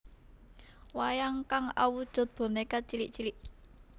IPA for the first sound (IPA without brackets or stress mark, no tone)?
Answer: w